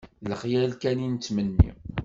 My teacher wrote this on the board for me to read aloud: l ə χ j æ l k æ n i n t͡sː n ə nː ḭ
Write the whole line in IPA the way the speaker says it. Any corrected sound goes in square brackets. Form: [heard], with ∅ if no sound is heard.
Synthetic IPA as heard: l ə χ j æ l k æ n i n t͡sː [m] ə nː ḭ